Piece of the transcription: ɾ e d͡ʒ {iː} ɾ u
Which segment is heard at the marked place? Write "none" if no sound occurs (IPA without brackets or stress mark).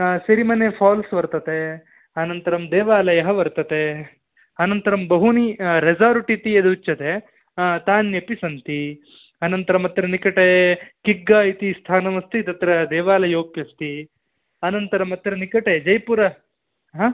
aː